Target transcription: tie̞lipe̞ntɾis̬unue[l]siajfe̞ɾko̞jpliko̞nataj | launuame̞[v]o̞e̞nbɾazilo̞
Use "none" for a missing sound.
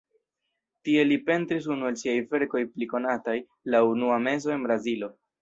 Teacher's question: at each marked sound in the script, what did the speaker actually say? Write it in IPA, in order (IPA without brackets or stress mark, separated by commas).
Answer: l, z